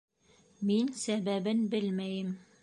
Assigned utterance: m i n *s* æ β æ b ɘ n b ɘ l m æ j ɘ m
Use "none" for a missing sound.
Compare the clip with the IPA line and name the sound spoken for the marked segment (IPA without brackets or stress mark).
s